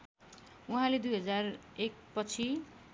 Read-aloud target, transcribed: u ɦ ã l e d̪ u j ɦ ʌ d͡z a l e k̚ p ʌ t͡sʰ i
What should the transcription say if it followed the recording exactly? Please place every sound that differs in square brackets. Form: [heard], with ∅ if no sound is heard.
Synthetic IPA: u ɦ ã l e d̪ u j ɦ ʌ d͡z a [r] e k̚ p ʌ t͡sʰ i